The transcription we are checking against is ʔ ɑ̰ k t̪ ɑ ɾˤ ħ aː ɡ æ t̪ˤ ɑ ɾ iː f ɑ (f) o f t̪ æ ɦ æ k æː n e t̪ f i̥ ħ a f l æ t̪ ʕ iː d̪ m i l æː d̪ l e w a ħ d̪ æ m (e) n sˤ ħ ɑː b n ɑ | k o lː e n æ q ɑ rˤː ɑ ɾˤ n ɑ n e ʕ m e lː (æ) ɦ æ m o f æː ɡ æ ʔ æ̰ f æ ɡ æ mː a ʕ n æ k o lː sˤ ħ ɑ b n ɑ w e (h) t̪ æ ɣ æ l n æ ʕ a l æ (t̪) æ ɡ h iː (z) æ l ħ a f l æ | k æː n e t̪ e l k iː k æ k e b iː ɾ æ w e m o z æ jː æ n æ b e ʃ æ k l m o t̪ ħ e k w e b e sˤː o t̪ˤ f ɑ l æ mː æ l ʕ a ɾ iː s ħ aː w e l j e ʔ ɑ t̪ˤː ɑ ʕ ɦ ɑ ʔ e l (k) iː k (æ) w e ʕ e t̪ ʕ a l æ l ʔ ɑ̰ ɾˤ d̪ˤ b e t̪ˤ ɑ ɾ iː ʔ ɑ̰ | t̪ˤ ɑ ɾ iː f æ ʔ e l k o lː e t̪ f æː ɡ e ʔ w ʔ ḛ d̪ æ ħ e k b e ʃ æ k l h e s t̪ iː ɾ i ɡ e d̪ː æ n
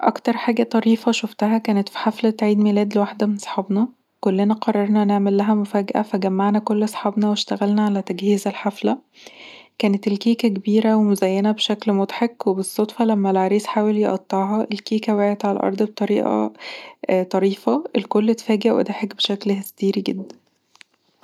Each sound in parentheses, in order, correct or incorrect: incorrect, correct, correct, incorrect, correct, correct, correct, correct

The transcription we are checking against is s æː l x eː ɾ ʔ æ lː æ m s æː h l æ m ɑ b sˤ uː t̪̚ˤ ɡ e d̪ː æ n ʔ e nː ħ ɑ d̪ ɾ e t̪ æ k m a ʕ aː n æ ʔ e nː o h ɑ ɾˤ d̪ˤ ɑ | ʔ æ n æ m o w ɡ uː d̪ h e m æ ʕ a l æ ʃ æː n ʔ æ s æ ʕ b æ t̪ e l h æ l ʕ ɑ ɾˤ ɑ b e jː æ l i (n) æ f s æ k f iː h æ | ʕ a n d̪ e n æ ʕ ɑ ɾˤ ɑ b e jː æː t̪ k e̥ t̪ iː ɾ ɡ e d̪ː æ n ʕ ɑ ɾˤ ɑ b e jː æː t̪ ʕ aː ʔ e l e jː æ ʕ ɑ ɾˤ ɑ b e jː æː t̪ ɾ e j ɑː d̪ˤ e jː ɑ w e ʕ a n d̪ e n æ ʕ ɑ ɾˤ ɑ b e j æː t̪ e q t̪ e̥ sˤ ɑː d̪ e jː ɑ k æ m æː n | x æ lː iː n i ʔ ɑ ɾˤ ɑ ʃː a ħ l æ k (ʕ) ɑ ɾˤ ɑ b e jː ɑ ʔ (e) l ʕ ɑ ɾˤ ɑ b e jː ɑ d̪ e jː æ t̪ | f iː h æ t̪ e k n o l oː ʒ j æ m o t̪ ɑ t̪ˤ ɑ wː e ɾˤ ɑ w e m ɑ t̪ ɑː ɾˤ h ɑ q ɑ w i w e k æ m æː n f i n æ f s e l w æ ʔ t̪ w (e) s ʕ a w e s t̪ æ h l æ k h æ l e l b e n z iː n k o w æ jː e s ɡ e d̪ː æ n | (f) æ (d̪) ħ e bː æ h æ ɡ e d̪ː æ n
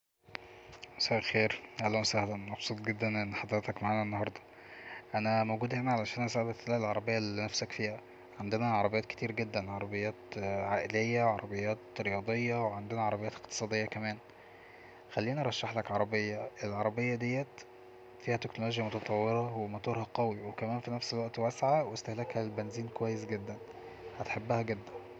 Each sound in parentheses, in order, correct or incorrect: correct, correct, correct, incorrect, incorrect, incorrect

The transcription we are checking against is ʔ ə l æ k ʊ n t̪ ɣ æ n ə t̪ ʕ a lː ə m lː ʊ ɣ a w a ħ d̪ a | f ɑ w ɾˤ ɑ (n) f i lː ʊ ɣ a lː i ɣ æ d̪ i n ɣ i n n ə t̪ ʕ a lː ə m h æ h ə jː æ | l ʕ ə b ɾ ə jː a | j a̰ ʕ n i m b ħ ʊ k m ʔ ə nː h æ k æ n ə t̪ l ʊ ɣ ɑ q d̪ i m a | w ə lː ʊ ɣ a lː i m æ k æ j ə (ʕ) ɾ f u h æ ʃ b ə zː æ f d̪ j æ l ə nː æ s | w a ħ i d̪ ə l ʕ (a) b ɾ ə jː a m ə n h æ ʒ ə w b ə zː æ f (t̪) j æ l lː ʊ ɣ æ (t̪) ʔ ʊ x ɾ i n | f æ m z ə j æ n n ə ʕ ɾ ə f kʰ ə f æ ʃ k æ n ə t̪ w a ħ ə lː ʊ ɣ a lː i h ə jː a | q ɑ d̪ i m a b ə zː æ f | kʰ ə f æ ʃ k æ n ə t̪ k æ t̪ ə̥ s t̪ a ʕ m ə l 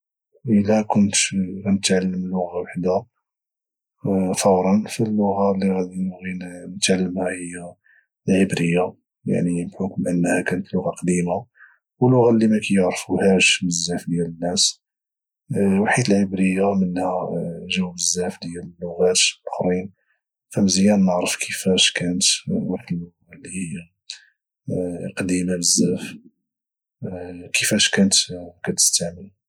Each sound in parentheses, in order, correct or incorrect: correct, correct, incorrect, incorrect, correct

